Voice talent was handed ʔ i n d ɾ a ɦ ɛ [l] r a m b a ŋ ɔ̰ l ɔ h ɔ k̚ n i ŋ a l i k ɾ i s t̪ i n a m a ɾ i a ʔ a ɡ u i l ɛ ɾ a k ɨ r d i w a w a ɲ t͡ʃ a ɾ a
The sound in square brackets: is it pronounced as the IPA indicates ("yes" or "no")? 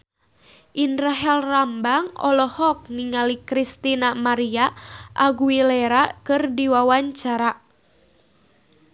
yes